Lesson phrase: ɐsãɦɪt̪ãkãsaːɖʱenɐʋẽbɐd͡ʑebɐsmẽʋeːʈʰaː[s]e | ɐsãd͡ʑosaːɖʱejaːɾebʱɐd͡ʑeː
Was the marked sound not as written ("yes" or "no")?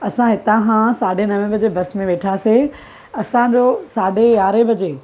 no